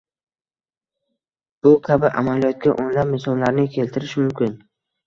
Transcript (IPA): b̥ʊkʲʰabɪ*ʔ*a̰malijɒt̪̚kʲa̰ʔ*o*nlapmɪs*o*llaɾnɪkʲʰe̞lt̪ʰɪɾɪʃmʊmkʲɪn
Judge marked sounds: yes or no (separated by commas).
yes, yes, no